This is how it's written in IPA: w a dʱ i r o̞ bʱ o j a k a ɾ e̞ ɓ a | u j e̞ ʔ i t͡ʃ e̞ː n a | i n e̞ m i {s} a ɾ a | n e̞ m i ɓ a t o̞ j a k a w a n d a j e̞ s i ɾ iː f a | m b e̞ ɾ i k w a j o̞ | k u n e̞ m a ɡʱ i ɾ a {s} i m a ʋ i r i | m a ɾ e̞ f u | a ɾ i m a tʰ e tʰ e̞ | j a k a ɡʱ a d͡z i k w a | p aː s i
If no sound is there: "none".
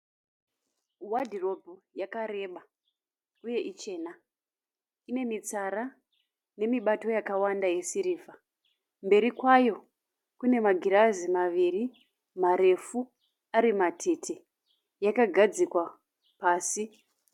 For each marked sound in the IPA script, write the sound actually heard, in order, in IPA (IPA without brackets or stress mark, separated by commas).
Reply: t͡s, z